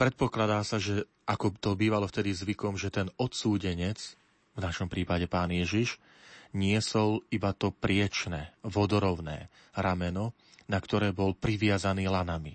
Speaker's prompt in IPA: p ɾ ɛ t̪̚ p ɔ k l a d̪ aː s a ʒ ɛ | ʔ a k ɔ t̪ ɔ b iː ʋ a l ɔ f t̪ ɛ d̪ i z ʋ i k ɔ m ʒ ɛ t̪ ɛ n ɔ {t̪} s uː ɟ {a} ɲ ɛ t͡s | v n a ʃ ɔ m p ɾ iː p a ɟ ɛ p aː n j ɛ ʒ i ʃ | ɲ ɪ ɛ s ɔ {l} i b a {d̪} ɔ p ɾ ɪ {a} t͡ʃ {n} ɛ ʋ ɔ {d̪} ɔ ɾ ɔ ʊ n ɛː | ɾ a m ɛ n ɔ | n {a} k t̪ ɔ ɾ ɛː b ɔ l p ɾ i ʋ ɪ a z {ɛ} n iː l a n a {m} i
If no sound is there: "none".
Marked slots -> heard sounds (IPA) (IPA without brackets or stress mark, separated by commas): t̪, ɛ, l, t̪, ɛ, n, d̪, a, a, m